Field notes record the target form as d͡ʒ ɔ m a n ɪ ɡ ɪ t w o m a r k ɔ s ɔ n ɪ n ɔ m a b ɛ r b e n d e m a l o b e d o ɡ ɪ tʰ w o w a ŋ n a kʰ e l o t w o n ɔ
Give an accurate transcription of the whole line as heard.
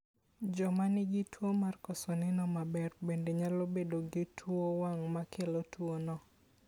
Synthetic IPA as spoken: d͡ʒ ɔ m a n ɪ ɡ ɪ t w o m a r k ɔ s ɔ n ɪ n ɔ m a b ɛ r b e n d e ɲ a l o b e d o ɡ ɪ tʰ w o w a ŋ m a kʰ e l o t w o n ɔ

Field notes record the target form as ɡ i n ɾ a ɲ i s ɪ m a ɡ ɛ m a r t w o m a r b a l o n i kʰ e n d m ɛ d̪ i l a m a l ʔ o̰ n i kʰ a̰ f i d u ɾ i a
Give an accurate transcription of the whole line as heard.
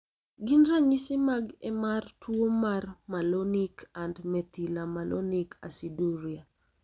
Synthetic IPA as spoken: ɡ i n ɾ a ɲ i s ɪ m a ɡ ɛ m a r t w o m a r m a l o n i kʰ a n d m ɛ t̪ i l a m a l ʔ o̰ n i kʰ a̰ s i d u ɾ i a

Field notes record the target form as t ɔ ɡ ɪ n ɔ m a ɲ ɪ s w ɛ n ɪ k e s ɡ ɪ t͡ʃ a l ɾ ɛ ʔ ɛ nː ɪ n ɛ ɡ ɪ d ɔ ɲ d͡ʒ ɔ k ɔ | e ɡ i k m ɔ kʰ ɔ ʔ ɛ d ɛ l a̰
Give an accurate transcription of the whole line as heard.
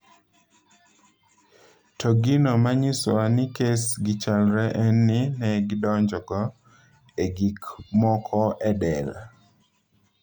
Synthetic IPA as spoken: t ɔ ɡ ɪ n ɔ m a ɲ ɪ s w a n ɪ k e s ɡ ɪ t͡ʃ a l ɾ ɛ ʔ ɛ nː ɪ n ɛ ɡ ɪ d ɔ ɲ d͡ʒ ɔ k ɔ | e ɡ i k m ɔ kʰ ɔ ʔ ɛ d ɛ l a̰

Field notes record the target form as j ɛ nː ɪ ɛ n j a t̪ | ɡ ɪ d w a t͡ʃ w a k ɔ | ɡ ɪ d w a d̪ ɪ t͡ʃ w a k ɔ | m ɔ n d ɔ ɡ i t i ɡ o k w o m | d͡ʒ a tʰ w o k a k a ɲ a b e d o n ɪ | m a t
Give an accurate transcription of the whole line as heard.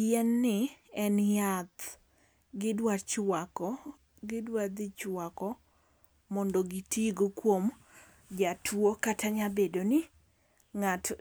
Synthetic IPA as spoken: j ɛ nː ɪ ɛ n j a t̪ | ɡ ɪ d w a t͡ʃ w a k ɔ | ɡ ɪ d w a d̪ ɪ t͡ʃ w a k ɔ | m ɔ n d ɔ ɡ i t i ɡ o k w o m | d͡ʒ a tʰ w o k a t a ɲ a b e d o n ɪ | ŋ a t

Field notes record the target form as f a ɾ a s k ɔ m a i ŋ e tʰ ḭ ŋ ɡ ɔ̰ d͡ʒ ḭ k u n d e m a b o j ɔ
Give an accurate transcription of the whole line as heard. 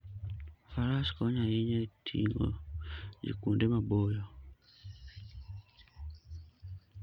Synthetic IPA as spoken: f a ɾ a s k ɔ ɲ a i ɲ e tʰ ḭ ŋ ɡ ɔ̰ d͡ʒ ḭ k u n d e m a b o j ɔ

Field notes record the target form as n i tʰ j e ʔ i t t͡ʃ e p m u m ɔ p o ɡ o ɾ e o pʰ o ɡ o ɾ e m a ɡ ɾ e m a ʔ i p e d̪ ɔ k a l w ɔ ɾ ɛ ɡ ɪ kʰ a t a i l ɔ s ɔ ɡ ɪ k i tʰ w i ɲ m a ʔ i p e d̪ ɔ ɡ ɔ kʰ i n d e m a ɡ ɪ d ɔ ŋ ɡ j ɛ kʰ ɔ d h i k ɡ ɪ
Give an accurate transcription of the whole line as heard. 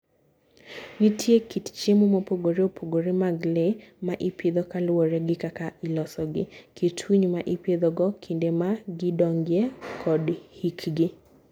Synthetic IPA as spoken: n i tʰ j e k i t t͡ʃ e m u m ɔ p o ɡ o ɾ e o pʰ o ɡ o ɾ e m a ɡ l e m a ʔ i p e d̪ ɔ k a l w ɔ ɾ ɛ ɡ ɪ k a k a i l ɔ s ɔ ɡ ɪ k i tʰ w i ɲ m a ʔ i p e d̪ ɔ ɡ ɔ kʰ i n d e m a ɡ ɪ d ɔ ŋ ɡ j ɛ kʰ ɔ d h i k ɡ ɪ

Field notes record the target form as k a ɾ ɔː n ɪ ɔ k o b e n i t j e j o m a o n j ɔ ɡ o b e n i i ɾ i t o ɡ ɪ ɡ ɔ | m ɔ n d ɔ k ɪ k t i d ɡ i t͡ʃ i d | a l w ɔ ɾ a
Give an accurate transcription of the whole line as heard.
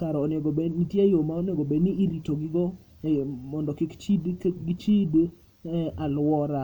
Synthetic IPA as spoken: k a ɾ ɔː n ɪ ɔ ɡ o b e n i t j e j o m a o n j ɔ ɡ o b e n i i ɾ i t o ɡ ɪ ɡ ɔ | m ɔ n d ɔ k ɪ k t͡ʃ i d ɡ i t͡ʃ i d | a l w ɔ ɾ a

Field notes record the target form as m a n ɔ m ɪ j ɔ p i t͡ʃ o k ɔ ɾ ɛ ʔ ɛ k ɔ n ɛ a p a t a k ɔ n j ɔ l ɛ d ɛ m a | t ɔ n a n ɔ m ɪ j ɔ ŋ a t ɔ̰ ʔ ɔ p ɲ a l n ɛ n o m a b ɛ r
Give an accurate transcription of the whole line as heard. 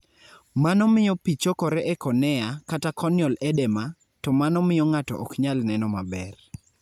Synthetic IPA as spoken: m a n ɔ m ɪ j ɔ p i t͡ʃ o k ɔ ɾ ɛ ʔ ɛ k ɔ n ɛ a k a t a k ɔ n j ɔ l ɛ d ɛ m a | t ɔ m a n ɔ m ɪ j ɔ ŋ a t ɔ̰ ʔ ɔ k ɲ a l n ɛ n ɔ m a b ɛ r

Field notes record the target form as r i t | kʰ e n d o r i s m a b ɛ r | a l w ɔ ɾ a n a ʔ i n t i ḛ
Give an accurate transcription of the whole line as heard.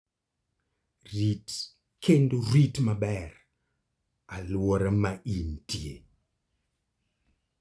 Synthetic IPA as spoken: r i t | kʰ e n d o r i t m a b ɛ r | a l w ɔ ɾ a m a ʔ i n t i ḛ

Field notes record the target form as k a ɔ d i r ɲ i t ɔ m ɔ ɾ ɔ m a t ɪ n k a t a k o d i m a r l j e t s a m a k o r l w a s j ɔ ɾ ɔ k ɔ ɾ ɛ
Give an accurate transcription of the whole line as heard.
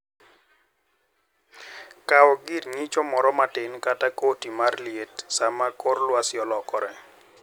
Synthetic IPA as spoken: k a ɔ ɡ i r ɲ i t͡ʃ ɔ m ɔ ɾ ɔ m a t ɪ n k a t a k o t i m a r l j e t s a m a k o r l w a s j ɔ l ɔ k ɔ ɾ ɛ

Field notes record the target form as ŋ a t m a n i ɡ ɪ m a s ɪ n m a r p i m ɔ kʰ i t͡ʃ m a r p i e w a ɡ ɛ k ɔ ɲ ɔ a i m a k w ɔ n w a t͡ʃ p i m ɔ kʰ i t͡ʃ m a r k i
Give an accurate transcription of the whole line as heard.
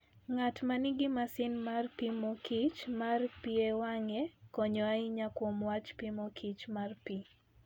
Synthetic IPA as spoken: ŋ a t m a n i ɡ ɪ m a s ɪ n m a r p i m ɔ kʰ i t͡ʃ m a r p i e w a ŋ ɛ k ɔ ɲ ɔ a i ɲ a k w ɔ m w a t͡ʃ p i m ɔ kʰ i t͡ʃ m a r p i

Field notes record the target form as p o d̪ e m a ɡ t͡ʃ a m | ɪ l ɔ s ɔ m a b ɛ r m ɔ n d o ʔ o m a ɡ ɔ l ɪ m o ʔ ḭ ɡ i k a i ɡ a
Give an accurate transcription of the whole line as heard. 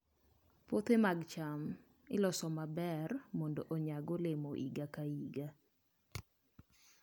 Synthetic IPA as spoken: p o t̪ e m a ɡ t͡ʃ a m | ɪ l ɔ s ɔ m a b ɛ r m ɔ n d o ʔ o ɲ a ɡ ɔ l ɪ m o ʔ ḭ ɡ a k a i ɡ a

